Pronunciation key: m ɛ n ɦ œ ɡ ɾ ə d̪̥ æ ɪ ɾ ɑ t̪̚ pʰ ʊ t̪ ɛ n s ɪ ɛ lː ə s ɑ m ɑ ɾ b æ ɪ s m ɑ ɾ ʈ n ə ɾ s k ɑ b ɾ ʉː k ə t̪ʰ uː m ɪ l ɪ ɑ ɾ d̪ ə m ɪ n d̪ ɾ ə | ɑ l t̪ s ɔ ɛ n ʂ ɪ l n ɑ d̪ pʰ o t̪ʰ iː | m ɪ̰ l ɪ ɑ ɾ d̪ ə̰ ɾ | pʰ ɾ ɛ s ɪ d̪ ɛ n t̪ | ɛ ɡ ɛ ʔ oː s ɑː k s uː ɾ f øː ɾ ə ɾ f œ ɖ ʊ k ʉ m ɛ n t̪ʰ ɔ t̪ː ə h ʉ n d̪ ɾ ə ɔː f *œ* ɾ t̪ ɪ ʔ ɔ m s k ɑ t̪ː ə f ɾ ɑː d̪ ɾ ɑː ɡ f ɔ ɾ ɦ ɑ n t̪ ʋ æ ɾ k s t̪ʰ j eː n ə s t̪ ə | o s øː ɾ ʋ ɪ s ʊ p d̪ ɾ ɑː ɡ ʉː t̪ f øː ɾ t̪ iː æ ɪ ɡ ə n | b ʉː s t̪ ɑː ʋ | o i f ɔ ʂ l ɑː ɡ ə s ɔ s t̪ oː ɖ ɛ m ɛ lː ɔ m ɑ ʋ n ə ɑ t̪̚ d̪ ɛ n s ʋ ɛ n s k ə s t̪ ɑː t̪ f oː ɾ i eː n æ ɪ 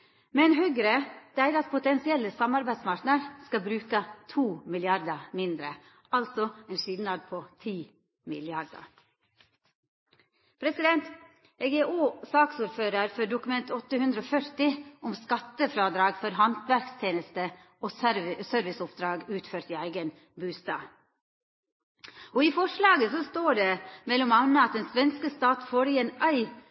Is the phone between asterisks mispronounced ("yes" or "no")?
no